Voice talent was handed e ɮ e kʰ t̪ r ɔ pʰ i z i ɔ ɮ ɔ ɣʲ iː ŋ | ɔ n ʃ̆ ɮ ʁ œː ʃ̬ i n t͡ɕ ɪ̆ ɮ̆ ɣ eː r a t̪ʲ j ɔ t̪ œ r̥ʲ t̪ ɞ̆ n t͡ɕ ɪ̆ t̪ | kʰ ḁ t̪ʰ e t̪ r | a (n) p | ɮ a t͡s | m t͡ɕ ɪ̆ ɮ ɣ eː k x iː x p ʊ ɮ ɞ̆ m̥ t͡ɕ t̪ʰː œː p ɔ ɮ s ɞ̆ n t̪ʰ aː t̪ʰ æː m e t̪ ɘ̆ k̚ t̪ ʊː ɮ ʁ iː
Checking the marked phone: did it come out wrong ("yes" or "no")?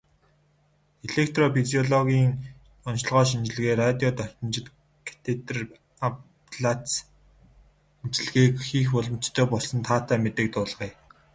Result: yes